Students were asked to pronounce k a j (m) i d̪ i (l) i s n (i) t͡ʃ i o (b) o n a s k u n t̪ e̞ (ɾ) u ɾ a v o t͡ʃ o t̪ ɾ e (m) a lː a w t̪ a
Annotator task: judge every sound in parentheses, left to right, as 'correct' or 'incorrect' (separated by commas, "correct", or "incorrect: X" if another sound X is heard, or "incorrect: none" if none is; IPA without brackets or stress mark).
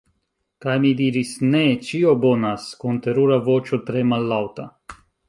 correct, incorrect: ɾ, incorrect: e, correct, correct, correct